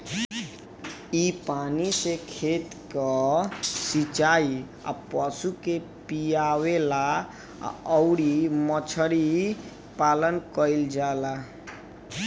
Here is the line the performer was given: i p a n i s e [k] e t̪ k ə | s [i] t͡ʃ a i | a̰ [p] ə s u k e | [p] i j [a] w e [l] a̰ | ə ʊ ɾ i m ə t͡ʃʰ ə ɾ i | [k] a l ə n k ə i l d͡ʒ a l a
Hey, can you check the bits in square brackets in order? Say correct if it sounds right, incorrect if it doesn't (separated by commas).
incorrect, correct, correct, correct, correct, correct, incorrect